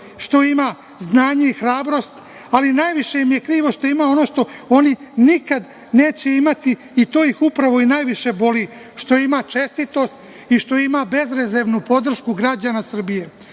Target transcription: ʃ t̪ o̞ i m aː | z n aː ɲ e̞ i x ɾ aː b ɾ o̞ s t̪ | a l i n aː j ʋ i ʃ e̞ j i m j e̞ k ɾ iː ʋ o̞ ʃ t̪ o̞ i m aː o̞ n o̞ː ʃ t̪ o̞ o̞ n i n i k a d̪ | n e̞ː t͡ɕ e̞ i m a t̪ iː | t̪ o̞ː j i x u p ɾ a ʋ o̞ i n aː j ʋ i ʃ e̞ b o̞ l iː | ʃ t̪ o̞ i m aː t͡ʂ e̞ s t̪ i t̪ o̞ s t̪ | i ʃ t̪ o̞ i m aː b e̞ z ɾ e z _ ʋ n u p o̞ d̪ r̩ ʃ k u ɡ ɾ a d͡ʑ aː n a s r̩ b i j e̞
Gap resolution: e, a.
e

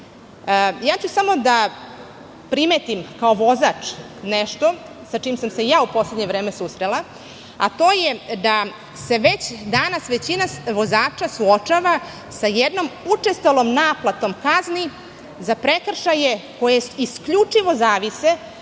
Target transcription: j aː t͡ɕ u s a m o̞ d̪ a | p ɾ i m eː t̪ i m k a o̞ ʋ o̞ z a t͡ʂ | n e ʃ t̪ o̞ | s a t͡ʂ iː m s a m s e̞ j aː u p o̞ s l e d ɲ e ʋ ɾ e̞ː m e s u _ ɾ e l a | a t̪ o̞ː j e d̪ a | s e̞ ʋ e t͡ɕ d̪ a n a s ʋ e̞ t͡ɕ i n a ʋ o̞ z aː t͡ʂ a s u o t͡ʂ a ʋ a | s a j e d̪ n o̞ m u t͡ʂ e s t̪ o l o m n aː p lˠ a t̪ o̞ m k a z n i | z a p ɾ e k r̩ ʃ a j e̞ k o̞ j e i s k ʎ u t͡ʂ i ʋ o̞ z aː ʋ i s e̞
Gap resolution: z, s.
s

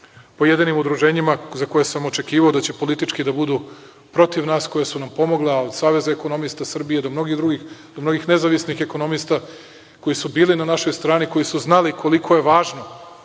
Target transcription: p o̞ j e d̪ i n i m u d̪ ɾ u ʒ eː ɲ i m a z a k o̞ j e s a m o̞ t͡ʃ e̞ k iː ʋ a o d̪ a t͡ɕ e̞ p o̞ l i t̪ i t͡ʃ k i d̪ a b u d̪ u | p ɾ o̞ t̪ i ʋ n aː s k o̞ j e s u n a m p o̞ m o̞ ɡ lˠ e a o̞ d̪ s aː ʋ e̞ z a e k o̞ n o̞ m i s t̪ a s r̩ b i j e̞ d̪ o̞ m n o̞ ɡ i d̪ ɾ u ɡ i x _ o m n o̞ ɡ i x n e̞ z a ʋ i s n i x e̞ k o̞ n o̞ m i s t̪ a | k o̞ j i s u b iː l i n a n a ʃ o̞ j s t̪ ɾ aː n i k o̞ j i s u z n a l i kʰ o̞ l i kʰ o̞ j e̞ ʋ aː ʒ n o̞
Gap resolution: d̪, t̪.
d̪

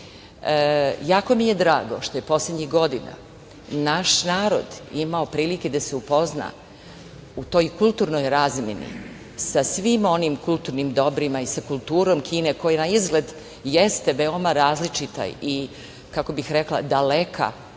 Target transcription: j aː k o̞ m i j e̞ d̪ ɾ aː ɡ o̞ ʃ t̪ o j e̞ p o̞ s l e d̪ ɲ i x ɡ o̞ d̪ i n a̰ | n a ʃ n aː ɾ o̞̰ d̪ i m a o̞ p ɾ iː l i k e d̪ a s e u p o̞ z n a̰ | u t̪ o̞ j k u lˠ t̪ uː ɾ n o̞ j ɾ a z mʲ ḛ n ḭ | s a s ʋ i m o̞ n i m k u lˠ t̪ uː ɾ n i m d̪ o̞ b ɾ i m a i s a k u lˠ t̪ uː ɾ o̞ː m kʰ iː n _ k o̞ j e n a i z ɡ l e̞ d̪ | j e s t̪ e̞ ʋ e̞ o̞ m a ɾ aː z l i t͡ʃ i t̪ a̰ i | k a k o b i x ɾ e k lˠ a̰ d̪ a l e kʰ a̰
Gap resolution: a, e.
e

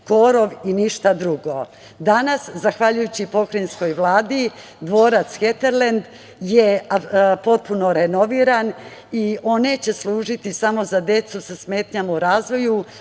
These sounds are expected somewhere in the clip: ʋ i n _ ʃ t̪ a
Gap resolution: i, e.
i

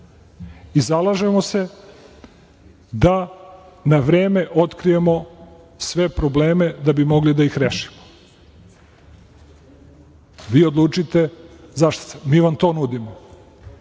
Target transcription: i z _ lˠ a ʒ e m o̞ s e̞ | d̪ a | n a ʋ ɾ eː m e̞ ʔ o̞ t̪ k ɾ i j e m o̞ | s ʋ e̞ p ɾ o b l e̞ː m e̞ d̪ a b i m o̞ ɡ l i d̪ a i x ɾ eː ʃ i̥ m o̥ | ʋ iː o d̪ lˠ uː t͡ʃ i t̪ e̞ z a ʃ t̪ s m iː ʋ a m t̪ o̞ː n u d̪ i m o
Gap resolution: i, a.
a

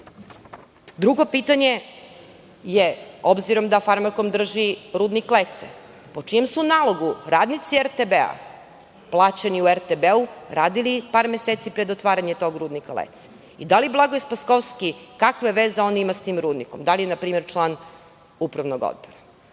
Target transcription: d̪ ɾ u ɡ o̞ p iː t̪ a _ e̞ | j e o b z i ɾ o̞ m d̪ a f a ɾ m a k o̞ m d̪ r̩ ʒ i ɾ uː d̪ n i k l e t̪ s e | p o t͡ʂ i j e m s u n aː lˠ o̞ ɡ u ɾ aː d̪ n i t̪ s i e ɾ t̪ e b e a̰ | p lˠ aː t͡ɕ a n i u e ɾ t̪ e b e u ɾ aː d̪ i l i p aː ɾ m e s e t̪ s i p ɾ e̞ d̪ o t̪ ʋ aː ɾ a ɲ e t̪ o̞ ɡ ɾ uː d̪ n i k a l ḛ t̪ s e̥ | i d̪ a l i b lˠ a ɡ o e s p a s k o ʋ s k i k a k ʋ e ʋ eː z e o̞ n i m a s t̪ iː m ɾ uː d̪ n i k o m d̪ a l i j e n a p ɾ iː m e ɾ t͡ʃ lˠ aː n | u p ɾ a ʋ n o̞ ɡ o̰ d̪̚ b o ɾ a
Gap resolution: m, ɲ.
ɲ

